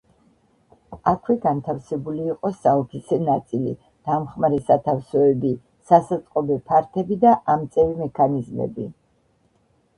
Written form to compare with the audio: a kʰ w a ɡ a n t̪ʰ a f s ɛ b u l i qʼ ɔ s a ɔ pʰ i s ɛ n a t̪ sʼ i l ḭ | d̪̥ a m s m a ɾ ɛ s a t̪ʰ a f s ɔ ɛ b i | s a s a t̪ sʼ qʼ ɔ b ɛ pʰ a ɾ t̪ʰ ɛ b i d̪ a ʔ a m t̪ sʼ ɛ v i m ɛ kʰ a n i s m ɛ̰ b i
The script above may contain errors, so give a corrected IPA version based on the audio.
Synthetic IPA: a kʰ w ɛ ɡ a n t̪ʰ a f s ɛ b u l iː qʼ ɔ s a ɔ pʰ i s ɛ n a t̪ sʼ i l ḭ | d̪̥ a m χ m a ɾ ɛ s a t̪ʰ a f s ɔ ɛ b i | s a s a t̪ sʼ qʼ ɔ b ɛ pʰ a ɾ t̪ʰ ɛ b i d̪ a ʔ a m t̪ sʼ ɛ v i m ɛ kʰ a n i z m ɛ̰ b i